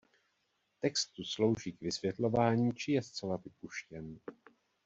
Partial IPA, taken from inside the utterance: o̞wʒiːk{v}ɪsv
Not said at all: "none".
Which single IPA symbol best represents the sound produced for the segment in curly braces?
v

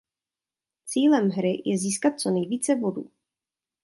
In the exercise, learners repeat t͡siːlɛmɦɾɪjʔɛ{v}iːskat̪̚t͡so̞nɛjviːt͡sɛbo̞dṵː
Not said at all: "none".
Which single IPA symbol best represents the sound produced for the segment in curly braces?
z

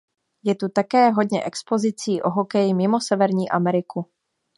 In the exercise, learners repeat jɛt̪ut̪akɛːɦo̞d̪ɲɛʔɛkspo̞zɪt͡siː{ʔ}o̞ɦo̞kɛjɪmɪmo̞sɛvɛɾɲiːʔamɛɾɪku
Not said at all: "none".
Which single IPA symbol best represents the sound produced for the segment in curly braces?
ʔ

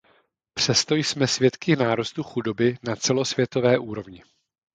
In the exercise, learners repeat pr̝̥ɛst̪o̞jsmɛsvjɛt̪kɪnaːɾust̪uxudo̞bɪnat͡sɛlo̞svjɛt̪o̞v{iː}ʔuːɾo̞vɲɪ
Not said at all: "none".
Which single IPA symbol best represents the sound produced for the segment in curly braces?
ɛː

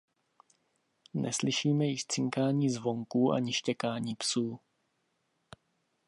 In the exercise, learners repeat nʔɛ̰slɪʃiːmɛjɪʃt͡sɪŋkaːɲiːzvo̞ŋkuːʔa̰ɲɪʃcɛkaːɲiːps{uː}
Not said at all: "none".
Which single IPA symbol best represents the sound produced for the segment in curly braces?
uː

